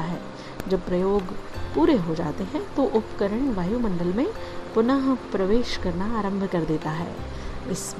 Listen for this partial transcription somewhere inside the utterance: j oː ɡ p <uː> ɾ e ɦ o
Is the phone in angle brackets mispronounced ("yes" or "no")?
no